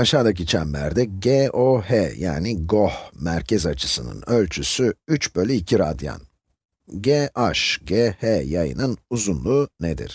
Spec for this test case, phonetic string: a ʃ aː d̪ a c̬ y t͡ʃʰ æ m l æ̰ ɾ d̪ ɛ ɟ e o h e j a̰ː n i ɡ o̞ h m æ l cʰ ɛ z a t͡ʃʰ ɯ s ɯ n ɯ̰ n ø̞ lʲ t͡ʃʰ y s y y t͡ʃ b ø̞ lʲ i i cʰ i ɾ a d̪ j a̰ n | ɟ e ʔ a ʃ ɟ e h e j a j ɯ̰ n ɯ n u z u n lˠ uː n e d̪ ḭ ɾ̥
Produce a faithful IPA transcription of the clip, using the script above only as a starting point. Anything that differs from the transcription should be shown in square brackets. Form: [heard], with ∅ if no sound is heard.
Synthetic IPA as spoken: a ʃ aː d̪ a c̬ [i] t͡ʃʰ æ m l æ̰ ɾ d̪ ɛ ɟ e o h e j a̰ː n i ɡ o̞ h m æ [ɾ] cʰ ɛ z a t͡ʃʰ ɯ s ɯ n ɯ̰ n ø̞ lʲ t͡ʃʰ y s y y t͡ʃ b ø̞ lʲ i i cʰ i ɾ a d̪ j a̰ n | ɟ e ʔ a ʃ ɟ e h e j a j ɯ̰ n ɯ n u z u n lˠ uː n e d̪ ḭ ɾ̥

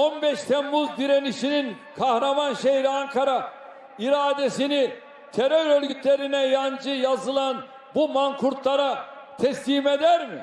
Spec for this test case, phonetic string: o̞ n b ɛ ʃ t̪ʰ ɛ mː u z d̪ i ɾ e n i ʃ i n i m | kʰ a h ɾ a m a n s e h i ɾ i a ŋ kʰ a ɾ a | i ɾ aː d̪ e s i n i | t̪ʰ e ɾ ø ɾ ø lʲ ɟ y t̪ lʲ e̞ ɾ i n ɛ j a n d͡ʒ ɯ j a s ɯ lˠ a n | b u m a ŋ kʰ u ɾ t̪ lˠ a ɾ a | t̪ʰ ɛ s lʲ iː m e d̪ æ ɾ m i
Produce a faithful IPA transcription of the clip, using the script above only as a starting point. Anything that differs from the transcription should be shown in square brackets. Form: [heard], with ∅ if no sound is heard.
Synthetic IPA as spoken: o̞ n b ɛ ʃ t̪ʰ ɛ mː u z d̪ i ɾ e n i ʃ i n i [n] | kʰ a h ɾ a m a n [ʃ] e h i ɾ i a ŋ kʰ a ɾ a | i ɾ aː d̪ e s i n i | t̪ʰ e ɾ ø ɾ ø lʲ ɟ y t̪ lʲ e̞ ɾ i n ɛ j a n d͡ʒ ɯ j a [z] ɯ lˠ a n | b u m a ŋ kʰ u ɾ t̪ lˠ a ɾ a | t̪ʰ ɛ s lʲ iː m e d̪ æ ɾ m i

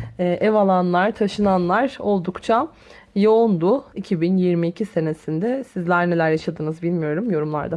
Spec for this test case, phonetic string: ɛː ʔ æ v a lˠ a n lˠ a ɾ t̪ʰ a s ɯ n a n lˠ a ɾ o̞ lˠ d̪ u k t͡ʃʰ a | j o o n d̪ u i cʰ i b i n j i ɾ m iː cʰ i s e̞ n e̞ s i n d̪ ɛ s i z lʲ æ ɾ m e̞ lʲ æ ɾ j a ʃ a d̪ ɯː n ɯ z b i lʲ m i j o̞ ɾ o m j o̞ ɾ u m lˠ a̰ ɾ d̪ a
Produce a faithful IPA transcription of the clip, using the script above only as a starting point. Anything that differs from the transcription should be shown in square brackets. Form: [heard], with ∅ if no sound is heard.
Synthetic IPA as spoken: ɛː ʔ [ɛ] v a lˠ a n lˠ a ɾ t̪ʰ a [ʃ] ɯ n a n lˠ a ɾ o̞ lˠ d̪ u k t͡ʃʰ a | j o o n d̪ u i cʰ i b i n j i ɾ m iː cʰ i s e̞ n e̞ s i n d̪ ɛ s i z lʲ æ ɾ [n] e̞ lʲ æ ɾ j a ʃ a d̪ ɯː n ɯ z b i lʲ m i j o̞ ɾ [u] m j o̞ ɾ u m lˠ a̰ ɾ d̪ a

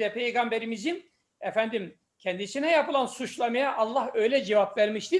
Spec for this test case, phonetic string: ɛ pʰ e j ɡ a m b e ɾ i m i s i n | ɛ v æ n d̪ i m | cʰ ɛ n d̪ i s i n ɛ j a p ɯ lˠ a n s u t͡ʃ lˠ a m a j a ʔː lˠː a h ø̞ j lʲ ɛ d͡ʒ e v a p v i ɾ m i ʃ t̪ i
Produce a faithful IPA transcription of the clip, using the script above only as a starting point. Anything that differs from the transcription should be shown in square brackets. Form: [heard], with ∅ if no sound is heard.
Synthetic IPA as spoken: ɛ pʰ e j ɡ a m b e ɾ i m i [z] i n | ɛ [f] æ n d̪ i m | cʰ ɛ n d̪ i s i n ɛ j a p ɯ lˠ a n s u t͡ʃ lˠ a m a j a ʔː lˠː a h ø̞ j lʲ ɛ d͡ʒ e v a p v [æ] ɾ m i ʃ t̪ i

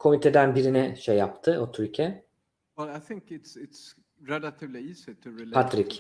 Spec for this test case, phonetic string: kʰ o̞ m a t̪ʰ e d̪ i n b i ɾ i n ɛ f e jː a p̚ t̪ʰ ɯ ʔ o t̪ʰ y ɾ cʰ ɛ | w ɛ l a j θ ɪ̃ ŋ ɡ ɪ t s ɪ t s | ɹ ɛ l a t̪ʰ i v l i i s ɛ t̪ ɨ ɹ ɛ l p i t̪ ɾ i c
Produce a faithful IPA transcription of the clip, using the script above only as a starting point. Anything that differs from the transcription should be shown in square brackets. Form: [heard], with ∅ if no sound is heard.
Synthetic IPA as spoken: kʰ o̞ m [i] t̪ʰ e d̪ [æ] n b i ɾ i n ɛ [ʃ] e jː a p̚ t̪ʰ ɯ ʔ o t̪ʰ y ɾ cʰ ɛ | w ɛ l a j θ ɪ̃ ŋ [k] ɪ t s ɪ t s | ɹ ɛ l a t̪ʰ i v l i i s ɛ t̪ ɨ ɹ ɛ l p [a] t̪ ɾ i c

